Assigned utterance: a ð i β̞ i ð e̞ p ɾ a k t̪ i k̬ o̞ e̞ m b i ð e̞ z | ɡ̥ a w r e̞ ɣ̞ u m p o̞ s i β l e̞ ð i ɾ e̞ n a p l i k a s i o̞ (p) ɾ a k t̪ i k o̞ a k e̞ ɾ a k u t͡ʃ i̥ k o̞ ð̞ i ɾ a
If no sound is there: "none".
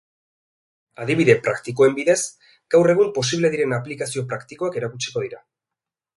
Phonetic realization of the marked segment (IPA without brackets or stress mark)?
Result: p